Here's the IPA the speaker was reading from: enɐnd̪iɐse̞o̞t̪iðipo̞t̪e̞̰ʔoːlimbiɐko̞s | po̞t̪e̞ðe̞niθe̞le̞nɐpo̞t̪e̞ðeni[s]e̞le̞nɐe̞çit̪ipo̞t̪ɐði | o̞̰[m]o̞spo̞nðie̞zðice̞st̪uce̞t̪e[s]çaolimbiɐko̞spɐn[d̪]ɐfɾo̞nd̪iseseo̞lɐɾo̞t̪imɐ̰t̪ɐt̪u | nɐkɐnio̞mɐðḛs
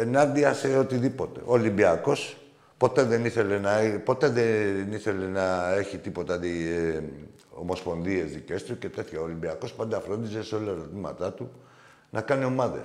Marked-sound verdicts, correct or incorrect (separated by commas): incorrect, correct, incorrect, correct